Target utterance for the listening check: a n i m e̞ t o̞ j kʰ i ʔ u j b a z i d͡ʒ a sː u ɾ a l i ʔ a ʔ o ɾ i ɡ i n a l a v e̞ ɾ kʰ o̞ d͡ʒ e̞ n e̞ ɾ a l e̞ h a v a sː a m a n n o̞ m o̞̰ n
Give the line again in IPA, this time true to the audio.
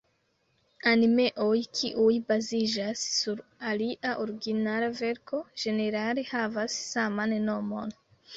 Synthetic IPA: a n i m e̞ ʔ o̞ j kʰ i ʔ u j b a z i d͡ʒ a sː u ɾ a l i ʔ a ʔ o ɾ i ɡ i n a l a v e̞ ɾ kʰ o̞ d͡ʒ e̞ n e̞ ɾ a l e̞ h a v a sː a m a n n o̞ m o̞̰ n